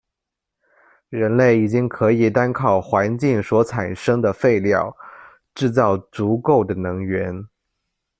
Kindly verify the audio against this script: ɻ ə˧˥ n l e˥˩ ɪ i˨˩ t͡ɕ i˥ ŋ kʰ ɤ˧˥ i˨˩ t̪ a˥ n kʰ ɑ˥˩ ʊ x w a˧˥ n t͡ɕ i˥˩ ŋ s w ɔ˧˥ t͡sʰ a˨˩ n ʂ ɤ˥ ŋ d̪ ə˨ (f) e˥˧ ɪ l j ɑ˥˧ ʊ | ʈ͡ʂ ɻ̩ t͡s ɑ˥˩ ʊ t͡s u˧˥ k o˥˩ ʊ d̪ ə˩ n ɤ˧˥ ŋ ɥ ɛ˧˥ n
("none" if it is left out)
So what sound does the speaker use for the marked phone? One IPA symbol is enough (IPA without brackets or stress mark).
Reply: f